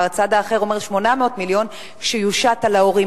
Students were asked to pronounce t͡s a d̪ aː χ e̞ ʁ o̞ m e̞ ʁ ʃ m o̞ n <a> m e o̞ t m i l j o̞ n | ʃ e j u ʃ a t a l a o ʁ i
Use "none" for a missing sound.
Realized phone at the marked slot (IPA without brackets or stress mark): a